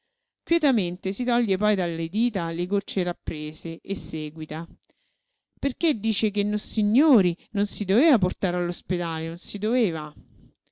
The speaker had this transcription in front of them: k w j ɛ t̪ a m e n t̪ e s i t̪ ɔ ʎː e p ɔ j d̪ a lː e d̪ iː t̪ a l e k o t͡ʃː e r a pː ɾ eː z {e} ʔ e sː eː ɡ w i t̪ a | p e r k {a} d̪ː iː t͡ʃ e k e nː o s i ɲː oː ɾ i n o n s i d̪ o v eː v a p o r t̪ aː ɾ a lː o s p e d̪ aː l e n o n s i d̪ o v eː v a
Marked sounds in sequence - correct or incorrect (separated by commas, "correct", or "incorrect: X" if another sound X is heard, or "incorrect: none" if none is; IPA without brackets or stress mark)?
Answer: correct, incorrect: e